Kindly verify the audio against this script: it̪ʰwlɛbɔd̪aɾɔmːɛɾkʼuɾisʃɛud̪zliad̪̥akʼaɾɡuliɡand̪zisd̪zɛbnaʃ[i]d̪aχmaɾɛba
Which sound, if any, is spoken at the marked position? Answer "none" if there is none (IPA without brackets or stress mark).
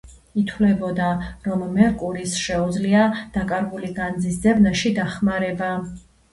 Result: i